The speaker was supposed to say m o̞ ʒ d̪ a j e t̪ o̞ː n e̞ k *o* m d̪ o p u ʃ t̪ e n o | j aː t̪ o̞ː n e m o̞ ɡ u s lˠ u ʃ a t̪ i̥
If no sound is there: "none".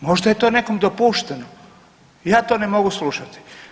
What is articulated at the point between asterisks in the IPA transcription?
o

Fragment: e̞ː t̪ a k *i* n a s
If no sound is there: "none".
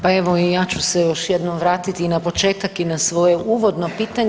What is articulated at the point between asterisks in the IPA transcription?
i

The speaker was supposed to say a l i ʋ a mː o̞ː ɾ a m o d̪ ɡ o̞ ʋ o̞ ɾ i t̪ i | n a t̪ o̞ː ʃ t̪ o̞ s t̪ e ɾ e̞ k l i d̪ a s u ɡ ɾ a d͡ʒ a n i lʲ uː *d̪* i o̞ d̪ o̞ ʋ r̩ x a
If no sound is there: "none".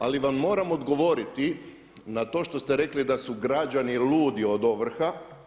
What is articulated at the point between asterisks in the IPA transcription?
d̪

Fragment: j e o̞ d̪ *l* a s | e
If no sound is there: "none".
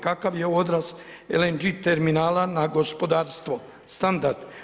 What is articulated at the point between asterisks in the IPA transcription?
ɾ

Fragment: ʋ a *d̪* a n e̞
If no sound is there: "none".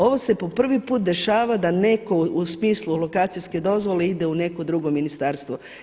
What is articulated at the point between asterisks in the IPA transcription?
d̪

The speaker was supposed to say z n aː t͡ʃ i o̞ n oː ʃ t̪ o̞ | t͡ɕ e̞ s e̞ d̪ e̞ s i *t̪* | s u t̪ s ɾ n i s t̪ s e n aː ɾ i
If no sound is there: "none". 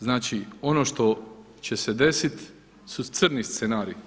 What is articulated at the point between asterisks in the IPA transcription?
t̪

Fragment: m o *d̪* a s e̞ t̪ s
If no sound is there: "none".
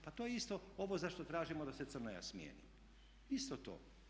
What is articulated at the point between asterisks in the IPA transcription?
d̪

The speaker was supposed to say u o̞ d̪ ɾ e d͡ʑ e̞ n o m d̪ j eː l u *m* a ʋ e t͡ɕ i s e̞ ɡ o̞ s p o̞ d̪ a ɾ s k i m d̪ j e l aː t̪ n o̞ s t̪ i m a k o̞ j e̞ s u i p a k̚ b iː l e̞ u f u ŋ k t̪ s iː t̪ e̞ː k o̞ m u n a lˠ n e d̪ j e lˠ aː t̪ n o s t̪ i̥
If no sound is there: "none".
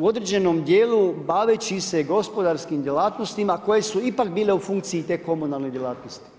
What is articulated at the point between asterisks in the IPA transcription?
b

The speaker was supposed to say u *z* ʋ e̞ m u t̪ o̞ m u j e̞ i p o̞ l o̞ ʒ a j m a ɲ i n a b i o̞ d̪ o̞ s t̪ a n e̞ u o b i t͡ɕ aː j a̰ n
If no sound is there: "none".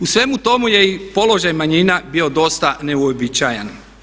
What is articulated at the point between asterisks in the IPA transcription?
s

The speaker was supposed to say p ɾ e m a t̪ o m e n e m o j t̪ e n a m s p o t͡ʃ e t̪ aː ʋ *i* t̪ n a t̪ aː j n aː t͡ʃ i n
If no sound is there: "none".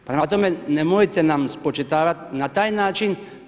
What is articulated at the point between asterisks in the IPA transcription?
a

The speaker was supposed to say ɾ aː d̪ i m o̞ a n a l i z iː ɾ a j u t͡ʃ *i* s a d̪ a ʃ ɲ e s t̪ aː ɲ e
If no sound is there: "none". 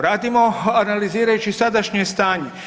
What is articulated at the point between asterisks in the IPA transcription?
i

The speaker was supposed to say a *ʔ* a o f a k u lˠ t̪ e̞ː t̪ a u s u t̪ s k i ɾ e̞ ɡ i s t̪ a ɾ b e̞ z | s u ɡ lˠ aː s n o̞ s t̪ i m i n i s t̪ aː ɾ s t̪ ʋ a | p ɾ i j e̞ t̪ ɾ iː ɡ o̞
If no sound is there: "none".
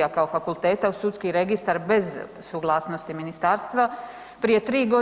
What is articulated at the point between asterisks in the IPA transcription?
k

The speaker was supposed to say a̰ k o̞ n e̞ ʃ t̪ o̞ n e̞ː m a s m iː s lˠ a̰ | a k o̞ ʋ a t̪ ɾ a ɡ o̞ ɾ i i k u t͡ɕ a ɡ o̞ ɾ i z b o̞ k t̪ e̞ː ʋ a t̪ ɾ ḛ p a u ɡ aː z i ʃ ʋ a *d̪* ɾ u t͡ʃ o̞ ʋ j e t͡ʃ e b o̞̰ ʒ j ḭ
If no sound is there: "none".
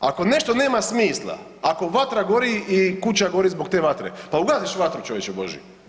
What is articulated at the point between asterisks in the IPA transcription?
t̪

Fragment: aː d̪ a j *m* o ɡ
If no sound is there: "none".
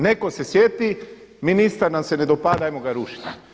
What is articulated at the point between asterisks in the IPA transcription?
m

